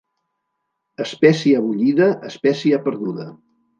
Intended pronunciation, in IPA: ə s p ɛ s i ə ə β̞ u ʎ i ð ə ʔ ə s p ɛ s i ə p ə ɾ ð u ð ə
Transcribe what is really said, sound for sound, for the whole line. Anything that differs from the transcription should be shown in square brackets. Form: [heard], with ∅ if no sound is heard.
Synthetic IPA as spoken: ə s p ɛ s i ə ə β̞ u ʎ i ð ə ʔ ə s p ɛ s i ə p ə ɾ ð u ð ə